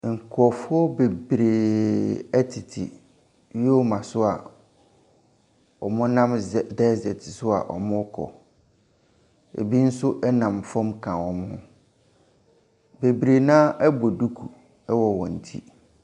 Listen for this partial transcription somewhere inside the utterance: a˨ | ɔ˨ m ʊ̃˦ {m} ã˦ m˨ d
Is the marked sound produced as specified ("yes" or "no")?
no